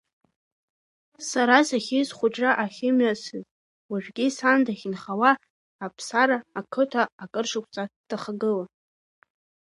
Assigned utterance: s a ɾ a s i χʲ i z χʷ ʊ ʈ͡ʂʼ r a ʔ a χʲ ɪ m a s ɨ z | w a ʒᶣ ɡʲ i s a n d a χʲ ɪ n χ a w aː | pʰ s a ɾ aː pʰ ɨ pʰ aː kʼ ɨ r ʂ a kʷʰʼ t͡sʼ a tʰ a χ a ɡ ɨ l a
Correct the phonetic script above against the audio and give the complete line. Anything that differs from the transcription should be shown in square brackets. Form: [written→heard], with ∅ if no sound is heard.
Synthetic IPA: s a ɾ a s [i→a] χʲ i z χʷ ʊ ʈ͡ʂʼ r a ʔ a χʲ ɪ m a s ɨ z | w a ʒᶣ ɡʲ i s a n d a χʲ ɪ n χ a w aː | pʰ s a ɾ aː [pʰ→kʰ] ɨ [pʰ→tʰ] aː kʼ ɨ r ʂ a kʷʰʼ t͡sʼ a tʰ a χ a ɡ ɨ l a